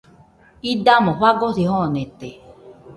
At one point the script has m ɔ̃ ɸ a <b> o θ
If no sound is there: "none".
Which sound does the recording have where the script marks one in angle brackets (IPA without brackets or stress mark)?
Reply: ɡ